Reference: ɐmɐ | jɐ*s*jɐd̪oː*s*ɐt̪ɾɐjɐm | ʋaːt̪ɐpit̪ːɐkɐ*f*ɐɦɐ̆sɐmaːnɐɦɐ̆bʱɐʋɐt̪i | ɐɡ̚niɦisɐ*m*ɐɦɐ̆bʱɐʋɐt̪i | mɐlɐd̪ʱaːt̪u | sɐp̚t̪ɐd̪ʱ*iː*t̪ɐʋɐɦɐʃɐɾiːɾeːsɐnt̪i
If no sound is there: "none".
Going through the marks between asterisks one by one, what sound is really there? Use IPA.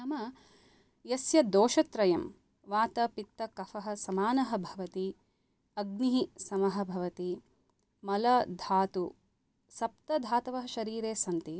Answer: s, ʃ, f, m, aː

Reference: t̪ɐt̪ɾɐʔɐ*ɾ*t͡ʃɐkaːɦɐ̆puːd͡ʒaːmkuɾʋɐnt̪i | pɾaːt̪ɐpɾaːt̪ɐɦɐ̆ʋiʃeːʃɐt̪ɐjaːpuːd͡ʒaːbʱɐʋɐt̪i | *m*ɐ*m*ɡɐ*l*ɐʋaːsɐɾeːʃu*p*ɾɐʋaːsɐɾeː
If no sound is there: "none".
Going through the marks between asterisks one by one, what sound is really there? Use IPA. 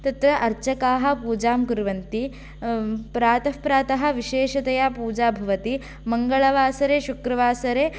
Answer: ɾ, m, ŋ, ɭ, k

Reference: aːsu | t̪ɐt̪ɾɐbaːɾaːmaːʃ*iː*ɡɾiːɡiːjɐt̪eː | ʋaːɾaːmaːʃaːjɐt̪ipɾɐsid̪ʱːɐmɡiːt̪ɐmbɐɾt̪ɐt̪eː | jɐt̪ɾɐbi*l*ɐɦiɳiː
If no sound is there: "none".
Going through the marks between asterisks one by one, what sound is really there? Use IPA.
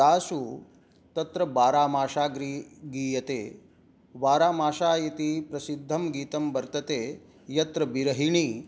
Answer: aː, ɾ

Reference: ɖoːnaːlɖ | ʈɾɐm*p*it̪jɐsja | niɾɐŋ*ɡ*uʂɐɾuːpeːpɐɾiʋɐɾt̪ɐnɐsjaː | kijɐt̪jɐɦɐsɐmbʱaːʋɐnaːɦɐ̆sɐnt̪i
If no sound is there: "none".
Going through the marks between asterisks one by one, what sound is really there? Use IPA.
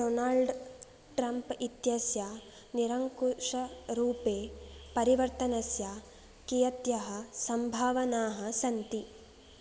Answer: p, k

